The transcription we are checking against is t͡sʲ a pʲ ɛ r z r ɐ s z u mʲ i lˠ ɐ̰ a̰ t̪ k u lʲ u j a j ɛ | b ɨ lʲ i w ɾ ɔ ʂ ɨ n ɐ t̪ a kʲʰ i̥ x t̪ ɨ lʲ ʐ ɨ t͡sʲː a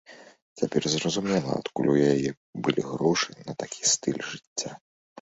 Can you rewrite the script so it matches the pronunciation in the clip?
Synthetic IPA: t͡sʲ a pʲ ɛ r z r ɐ z u mʲ ɛ lˠ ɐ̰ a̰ t̪ k u lʲ u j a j ɛ | b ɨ lʲ i ɣ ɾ ɔ ʂ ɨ n ɐ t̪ a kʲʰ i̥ s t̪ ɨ lʲ ʐ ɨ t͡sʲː a